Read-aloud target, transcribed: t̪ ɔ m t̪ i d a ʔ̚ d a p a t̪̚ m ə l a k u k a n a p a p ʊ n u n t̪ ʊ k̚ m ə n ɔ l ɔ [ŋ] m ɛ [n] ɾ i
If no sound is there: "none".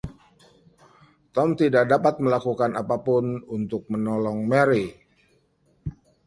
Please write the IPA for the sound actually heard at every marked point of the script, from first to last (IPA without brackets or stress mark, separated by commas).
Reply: ŋ, none